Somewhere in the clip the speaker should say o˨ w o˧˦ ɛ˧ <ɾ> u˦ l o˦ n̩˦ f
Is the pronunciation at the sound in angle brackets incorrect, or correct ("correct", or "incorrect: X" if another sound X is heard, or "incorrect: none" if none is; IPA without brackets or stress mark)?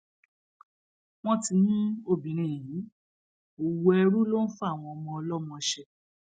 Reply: correct